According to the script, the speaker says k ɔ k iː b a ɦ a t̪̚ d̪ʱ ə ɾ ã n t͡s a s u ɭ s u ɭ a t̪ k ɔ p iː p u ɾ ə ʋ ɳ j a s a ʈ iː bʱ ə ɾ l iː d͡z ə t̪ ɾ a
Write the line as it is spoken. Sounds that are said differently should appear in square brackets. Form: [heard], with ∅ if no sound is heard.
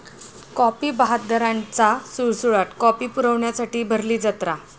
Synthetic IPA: k ɔ [p] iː b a ɦ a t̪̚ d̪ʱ ə ɾ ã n t͡s a s u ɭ s u ɭ a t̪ k ɔ p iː p u ɾ ə ʋ ɳ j a s a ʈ iː bʱ ə ɾ l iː d͡z ə t̪ ɾ a